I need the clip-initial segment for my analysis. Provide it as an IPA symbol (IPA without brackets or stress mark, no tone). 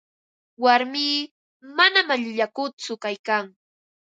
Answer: w